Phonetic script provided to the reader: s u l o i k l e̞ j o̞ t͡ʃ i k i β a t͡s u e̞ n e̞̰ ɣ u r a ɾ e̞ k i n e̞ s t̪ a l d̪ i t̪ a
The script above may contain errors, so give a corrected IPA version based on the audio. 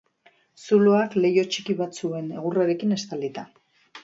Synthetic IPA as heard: s u l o a k l e̞ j o̞ t͡ʃ i k i β a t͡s u e̞ n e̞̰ ɣ u r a ɾ e̞ k i n e̞ s t̪ a l d̪ i t̪ a